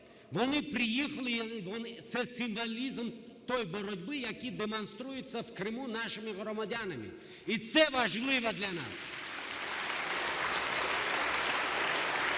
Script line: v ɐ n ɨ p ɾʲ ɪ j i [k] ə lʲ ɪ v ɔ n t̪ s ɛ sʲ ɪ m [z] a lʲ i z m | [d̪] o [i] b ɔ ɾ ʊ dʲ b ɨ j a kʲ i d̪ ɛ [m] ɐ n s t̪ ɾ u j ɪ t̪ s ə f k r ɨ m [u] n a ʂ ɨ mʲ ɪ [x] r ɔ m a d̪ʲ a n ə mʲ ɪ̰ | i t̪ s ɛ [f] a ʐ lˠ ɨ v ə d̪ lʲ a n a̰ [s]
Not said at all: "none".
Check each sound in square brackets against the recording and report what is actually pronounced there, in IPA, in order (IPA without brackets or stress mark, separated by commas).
x, v, t̪, j, m, u, ɣ, v, s